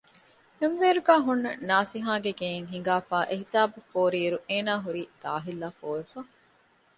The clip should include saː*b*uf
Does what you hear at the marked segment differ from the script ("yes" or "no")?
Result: no